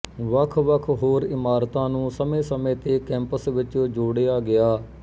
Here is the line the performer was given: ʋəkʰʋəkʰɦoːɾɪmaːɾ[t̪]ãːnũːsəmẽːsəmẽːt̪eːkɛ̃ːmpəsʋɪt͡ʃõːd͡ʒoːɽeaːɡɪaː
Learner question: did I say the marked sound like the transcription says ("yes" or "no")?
yes